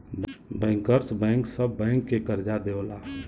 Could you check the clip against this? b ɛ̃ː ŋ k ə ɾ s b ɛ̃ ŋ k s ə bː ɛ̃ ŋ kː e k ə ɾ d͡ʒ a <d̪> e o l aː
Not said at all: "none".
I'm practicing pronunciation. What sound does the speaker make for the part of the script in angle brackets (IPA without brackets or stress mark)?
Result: d̪